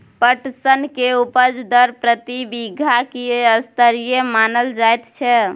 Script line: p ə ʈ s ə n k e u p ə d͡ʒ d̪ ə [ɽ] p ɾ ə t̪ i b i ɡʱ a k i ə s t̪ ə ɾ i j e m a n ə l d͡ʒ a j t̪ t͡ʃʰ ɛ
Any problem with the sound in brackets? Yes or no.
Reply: yes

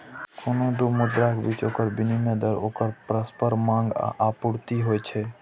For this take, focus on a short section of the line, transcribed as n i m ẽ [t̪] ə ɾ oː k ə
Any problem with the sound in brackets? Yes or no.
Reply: yes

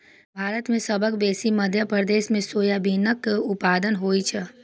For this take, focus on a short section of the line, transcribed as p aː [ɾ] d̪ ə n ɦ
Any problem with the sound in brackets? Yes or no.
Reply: yes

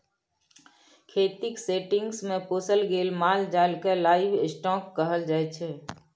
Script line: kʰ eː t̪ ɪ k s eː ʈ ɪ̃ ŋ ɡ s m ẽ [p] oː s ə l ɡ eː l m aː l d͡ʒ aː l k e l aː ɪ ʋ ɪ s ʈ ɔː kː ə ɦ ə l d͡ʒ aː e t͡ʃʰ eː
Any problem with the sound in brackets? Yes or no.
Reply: no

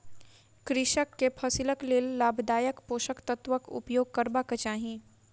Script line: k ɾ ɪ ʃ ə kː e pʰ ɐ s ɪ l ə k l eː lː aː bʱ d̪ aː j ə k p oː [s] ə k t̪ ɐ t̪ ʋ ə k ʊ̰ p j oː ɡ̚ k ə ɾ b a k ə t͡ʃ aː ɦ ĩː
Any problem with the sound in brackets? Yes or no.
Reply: yes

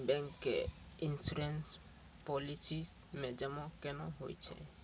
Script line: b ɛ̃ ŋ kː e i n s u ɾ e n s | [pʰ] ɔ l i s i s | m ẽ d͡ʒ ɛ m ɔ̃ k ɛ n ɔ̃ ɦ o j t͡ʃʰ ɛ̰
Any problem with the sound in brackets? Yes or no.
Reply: yes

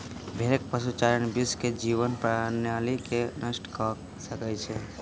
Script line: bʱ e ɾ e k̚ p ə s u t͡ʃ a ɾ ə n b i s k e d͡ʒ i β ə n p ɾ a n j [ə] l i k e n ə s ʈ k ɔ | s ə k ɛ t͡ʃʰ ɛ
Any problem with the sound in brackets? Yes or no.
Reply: yes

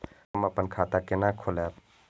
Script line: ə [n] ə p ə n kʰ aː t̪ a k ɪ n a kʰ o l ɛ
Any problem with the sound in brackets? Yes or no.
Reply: yes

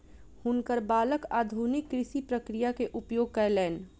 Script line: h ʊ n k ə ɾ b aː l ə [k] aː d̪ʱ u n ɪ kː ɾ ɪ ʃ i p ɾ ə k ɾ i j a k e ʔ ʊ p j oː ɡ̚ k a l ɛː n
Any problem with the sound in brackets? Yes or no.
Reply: no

